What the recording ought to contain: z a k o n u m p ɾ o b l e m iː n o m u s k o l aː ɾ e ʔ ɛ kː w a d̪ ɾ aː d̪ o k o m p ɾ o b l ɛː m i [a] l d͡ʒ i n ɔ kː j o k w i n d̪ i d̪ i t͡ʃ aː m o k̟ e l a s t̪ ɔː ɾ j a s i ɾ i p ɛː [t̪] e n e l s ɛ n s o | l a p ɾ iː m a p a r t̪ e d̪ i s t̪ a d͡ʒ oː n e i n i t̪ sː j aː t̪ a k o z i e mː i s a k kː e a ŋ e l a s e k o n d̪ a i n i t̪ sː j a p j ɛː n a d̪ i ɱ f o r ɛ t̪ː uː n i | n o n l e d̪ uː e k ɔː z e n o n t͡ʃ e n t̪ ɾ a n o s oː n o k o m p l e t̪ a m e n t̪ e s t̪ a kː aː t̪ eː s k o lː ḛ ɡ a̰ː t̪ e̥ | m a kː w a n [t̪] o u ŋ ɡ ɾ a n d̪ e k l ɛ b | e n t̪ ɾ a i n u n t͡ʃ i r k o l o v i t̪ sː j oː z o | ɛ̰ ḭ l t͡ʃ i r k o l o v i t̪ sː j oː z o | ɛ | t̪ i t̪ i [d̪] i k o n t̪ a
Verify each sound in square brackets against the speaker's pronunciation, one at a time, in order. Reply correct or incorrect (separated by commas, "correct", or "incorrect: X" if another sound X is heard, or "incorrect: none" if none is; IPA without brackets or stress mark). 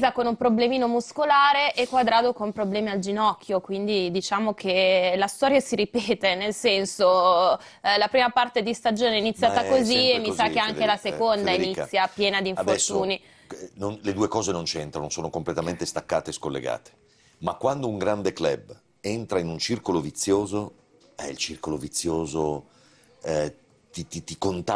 correct, correct, incorrect: d̪, incorrect: t̪